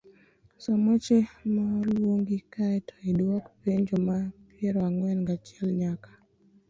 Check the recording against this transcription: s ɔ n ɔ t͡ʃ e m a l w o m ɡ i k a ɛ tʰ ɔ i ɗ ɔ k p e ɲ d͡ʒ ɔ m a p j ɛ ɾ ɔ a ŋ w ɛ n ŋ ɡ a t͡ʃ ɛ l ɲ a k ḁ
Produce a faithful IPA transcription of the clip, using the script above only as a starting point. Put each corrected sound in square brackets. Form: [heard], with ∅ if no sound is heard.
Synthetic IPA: s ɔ [m] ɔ t͡ʃ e m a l w o [ŋ] ɡ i k a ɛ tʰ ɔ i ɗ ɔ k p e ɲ d͡ʒ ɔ m a p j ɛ ɾ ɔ a ŋ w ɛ n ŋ ɡ a t͡ʃ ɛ l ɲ a k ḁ